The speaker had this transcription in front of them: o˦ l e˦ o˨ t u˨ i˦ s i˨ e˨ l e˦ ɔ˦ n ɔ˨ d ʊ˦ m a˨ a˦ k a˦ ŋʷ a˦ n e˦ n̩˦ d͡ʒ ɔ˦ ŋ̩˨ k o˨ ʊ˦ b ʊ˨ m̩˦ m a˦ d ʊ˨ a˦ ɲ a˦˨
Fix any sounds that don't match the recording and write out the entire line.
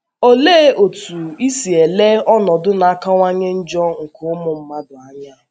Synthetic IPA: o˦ l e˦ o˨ t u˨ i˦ s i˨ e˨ l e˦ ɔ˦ n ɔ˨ d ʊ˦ n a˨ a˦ k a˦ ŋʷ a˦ ɲ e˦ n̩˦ d͡ʒ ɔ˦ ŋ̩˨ k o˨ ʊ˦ m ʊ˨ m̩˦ m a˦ d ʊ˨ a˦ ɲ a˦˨